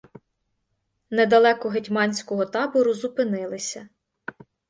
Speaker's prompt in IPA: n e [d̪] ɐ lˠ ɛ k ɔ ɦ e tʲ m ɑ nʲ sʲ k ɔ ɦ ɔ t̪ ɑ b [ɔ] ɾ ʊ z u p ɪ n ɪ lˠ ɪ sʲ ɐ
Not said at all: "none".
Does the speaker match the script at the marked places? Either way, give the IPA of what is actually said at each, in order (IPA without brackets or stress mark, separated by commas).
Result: d̪, ɔ